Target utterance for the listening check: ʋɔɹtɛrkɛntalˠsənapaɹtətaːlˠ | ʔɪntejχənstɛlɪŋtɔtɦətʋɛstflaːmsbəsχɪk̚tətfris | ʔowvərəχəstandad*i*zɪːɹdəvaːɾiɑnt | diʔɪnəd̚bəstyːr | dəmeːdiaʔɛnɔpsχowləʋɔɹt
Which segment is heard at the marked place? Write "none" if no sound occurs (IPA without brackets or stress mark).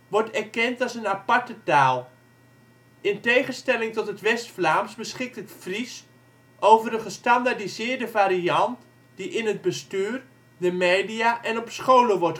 i